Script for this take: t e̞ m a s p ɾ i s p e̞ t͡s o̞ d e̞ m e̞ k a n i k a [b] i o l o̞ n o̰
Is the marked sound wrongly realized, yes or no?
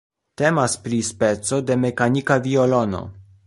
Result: yes